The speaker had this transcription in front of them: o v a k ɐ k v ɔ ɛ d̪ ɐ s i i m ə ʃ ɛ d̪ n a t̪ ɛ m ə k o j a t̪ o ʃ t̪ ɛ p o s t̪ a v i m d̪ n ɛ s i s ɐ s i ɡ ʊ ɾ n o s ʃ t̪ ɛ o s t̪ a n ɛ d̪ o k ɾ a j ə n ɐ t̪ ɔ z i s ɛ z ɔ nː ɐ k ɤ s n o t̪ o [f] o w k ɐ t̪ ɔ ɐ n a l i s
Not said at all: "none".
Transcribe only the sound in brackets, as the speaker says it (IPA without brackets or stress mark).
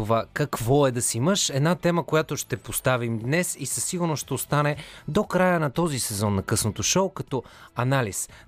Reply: ʃ